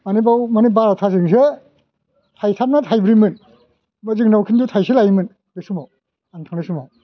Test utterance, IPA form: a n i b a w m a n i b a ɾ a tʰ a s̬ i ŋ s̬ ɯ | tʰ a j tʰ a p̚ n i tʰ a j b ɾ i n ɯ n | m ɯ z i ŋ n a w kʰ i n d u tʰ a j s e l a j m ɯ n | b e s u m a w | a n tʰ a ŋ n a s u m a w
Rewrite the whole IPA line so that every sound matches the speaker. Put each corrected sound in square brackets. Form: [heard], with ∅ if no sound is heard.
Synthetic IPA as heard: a n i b a w m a n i b a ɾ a tʰ a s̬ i ŋ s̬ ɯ | tʰ a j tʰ a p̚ n [a] tʰ a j b ɾ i [m] ɯ n | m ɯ z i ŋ n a w kʰ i n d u tʰ a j s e l a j m ɯ n | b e s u m a w | a n tʰ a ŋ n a s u m a w